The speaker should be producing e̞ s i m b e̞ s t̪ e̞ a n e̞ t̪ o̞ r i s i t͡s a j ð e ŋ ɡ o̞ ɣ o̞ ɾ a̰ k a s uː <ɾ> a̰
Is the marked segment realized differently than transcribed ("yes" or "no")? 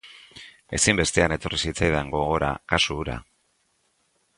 no